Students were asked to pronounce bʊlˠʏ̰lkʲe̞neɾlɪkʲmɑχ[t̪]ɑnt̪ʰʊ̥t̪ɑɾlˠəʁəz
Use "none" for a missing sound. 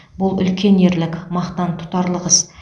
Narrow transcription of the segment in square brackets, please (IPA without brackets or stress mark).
t̪